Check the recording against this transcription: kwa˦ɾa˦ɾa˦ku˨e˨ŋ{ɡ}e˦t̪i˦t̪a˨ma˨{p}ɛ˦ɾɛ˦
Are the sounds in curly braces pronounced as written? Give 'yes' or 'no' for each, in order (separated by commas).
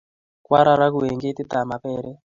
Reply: yes, yes